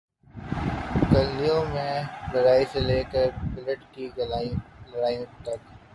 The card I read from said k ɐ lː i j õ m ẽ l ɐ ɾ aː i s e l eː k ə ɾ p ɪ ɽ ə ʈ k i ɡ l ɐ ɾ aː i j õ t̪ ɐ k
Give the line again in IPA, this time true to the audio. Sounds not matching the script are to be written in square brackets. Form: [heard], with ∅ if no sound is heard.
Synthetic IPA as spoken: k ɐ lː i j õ m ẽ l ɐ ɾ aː i s e l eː k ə ɾ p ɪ [l] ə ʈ k i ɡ l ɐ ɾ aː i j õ t̪ ɐ k